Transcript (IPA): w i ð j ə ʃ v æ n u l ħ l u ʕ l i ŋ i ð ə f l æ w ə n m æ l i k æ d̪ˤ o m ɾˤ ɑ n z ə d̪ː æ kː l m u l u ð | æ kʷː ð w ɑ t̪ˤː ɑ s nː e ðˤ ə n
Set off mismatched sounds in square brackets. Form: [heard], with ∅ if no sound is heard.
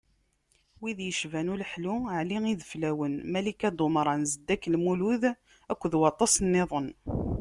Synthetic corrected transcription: w i ð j ə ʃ v æ n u l ħ l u ʕ l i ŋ i ð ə f l æ w ə n m æ l i k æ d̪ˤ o m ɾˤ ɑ n z ə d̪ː æ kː l m u l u ð | æ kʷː ð w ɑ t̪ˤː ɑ s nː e ðˤ ə n